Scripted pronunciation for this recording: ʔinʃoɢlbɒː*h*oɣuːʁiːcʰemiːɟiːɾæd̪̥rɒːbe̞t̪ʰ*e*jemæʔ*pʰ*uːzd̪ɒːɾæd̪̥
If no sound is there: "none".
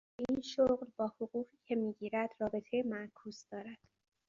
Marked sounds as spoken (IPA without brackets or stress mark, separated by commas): h, e, kʰ